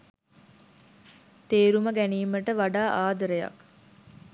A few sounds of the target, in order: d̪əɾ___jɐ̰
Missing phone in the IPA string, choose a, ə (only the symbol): ə